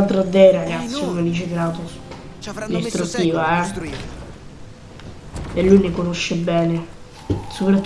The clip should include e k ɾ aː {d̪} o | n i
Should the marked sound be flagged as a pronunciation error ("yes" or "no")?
yes